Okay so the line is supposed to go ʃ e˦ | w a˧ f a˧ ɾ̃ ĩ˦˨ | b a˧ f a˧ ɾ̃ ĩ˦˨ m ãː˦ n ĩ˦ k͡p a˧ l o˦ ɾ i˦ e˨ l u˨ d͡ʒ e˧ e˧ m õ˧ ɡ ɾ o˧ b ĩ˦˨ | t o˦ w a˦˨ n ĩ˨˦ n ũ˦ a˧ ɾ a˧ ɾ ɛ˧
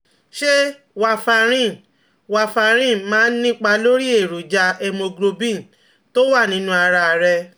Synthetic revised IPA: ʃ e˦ | w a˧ f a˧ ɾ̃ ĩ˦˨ | w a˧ f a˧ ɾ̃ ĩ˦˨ m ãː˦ n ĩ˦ k͡p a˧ l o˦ ɾ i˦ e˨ ɾ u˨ d͡ʒ a˧ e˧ m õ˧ ɡ ɾ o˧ b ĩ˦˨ | t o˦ w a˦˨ n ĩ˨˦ n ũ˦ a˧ ɾ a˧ ɾ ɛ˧